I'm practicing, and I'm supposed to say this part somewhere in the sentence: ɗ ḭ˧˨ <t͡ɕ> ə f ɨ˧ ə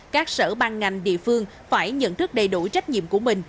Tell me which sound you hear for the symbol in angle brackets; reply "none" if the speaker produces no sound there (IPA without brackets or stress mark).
none